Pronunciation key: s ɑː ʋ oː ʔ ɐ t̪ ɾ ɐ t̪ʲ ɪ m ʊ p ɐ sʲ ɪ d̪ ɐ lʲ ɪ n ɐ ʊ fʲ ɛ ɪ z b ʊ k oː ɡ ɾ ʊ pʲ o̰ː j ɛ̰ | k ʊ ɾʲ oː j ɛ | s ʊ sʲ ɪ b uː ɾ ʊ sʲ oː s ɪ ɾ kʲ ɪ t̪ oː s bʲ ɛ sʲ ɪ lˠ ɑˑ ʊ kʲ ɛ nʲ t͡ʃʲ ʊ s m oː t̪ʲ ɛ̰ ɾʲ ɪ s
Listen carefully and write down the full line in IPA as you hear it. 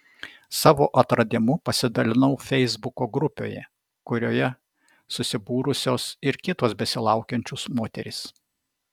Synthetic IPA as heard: s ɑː ʋ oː ʔ ɐ t̪ ɾ ɐ d̪ʲ ɪ m ʊ p ɐ sʲ ɪ d̪ ɐ lʲ ɪ n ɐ ʊ fʲ ɛ ɪ z b ʊ k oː ɡ ɾ ʊ pʲ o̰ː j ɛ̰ | k ʊ ɾʲ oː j ɛ | s ʊ sʲ ɪ b uː ɾ ʊ sʲ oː s ɪ ɾ kʲ ɪ t̪ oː s bʲ ɛ sʲ ɪ lˠ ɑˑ ʊ kʲ ɛ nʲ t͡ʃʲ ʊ s m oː t̪ʲ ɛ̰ ɾʲ ɪ s

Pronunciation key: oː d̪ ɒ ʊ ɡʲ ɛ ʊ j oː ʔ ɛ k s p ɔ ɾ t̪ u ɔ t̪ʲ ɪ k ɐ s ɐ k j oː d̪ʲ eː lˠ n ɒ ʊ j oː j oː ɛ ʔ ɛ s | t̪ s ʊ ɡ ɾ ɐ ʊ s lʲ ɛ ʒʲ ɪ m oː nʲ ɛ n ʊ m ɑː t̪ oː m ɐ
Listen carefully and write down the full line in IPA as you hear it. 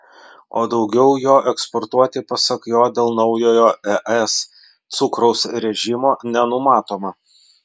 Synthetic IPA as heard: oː d̪ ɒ ʊ ɡʲ ɛ ʊ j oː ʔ ɛ k s p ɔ ɾ t̪ u ɔ t̪ʲ ɪ p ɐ s ɐ k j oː d̪ʲ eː lˠ n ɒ ʊ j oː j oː ɛ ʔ ɛ s | t̪ s ʊ k ɾ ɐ ʊ s ɾʲ ɛ ʒʲ ɪ m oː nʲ ɛ n ʊ m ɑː t̪ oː m ɐ

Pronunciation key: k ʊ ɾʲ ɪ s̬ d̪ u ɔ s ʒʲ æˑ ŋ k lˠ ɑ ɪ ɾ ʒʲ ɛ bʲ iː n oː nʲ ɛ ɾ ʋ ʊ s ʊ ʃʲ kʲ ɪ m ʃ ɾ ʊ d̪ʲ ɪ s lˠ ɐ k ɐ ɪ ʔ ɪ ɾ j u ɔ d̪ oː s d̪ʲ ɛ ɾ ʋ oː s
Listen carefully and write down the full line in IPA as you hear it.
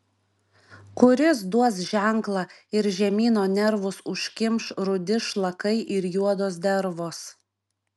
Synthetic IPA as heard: k ʊ ɾʲ ɪ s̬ d̪ u ɔ s ʒʲ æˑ ŋ k lˠ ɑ ɪ ɾ ʒʲ ɛ mʲ iː n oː nʲ ɛ ɾ ʋ ʊ s ʊ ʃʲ kʲ ɪ m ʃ ɾ ʊ d̪ʲ ɪ ʃ lˠ ɐ k ɐ ɪ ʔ ɪ ɾ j u ɔ d̪ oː s d̪ʲ ɛ ɾ ʋ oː s

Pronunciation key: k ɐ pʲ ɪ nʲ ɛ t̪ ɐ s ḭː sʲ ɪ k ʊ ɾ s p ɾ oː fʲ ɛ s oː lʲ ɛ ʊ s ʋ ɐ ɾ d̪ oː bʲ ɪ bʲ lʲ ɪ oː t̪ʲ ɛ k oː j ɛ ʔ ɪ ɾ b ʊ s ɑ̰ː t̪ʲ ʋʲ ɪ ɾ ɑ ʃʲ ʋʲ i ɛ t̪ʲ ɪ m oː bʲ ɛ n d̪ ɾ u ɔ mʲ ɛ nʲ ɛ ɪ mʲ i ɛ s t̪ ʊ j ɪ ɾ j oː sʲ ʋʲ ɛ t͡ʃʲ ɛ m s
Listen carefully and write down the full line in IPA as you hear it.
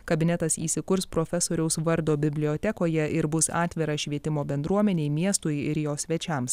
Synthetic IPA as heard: k ɐ bʲ ɪ nʲ ɛ t̪ ɐ s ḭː sʲ ɪ k ʊ ɾ s p ɾ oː fʲ ɛ s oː ɾʲ ɛ ʊ s ʋ ɐ ɾ d̪ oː bʲ ɪ bʲ lʲ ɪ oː t̪ʲ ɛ k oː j ɛ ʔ ɪ ɾ b ʊ s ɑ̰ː t̪ʲ ʋʲ ɪ ɾ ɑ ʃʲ ʋʲ i ɛ t̪ʲ ɪ m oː bʲ ɛ n d̪ ɾ u ɔ mʲ ɛ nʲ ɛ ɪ mʲ i ɛ s t̪ ʊ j ɪ ɾ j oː sʲ ʋʲ ɛ t͡ʃʲ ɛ m s

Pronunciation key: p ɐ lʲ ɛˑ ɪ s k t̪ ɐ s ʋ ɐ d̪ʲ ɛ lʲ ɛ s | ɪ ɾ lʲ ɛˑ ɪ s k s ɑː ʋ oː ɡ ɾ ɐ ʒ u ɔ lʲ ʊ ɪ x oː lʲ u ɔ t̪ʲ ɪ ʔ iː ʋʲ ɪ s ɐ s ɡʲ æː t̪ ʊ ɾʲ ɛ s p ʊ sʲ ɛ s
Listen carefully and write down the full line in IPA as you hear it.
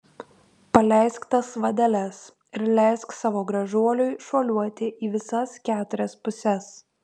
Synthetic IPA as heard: p ɐ lʲ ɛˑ ɪ s k t̪ ɐ s ʋ ɐ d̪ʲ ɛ lʲ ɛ s | ɪ ɾ lʲ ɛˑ ɪ s k s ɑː ʋ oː ɡ ɾ ɐ ʒ u ɔ lʲ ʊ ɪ ʃ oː lʲ u ɔ t̪ʲ ɪ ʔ iː ʋʲ ɪ s ɐ s kʲ æː t̪ ʊ ɾʲ ɛ s p ʊ sʲ ɛ s

